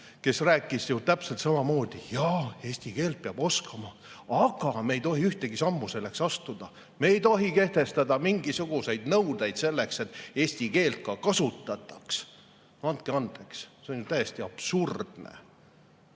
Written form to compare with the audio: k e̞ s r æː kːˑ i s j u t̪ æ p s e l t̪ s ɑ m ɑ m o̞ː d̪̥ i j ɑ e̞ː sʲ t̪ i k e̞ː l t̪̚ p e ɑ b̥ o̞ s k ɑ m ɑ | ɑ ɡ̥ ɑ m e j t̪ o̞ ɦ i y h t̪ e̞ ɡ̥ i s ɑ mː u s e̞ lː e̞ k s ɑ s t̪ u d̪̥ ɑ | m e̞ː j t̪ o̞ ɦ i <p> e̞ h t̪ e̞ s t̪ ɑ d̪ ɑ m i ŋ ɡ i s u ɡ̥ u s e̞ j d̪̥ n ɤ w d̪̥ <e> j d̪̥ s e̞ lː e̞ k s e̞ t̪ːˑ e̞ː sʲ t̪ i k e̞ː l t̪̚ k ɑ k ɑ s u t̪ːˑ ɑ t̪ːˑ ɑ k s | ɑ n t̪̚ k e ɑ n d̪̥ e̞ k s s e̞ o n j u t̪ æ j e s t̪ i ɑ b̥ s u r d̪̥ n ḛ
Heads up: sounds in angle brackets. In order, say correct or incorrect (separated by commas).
incorrect, correct